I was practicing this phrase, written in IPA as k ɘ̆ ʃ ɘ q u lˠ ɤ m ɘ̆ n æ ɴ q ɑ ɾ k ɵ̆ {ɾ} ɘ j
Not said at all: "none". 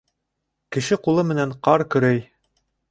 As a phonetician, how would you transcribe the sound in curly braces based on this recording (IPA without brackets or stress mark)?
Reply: ɾ